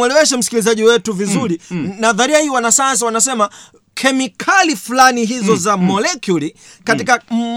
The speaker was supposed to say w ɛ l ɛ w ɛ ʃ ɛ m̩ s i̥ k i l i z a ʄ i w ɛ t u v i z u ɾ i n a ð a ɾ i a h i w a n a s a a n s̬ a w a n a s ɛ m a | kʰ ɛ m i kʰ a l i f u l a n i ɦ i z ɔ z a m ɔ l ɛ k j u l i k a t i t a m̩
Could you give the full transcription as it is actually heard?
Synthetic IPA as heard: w ɛ l ɛ w ɛ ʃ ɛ m̩ s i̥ k i l i z a ʄ i w ɛ t u v i z u ɾ i n a ð a ɾ i a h i w a n a s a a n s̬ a w a n a s ɛ m a | kʰ ɛ m i kʰ a l i f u l a n i ɦ i z ɔ z a m ɔ l ɛ k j u l i k a t i k a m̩